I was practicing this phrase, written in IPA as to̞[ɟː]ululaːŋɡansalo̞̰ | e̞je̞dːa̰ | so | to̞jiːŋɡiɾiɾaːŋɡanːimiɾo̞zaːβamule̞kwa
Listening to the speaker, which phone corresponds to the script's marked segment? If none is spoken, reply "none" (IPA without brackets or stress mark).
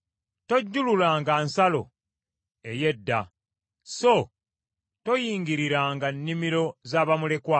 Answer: ɟː